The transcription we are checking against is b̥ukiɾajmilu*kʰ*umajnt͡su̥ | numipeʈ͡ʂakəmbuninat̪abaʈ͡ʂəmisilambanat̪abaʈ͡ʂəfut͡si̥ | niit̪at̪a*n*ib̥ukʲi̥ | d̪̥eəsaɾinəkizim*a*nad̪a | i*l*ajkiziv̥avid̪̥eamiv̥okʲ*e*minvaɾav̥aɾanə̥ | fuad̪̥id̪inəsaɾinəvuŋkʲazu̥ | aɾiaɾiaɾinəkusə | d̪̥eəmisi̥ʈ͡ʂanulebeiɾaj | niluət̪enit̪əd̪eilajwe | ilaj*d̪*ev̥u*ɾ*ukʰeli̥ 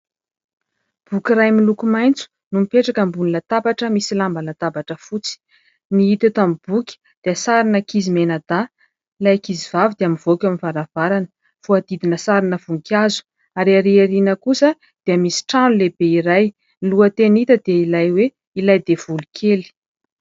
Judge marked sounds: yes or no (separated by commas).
no, no, no, yes, no, yes, no